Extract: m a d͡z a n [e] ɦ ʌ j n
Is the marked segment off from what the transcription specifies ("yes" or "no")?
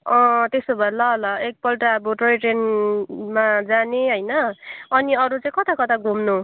no